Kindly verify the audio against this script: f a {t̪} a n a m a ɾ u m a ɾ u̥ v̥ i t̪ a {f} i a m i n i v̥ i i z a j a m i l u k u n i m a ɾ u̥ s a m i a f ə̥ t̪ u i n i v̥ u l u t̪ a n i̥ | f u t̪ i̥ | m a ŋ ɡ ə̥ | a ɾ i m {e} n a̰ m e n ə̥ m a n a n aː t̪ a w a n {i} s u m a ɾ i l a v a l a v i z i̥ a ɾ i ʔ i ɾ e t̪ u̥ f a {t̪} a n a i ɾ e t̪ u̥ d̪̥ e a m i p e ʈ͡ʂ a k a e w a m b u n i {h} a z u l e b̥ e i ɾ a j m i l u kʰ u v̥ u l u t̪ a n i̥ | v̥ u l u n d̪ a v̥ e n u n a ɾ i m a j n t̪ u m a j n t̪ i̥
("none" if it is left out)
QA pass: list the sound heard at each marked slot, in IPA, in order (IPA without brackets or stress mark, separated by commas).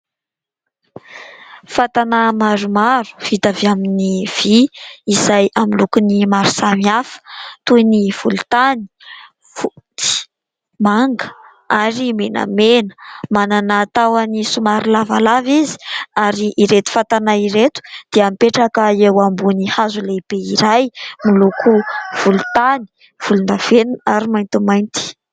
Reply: t̪, v, e, i, t̪, h